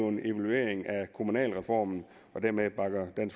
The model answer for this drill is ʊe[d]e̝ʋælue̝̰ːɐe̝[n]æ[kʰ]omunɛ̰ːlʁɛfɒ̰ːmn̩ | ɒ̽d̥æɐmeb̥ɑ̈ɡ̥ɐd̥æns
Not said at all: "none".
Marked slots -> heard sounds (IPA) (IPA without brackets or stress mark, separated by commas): n, ŋ, kʰ